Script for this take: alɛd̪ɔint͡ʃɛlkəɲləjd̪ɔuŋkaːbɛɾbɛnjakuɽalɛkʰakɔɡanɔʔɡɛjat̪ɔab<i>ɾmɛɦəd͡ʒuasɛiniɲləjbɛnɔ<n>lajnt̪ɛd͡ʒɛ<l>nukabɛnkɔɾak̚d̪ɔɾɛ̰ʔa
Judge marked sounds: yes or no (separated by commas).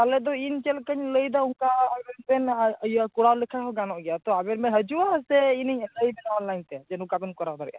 no, yes, no